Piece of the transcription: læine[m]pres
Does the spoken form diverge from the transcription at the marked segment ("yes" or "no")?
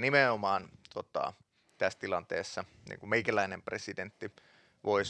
no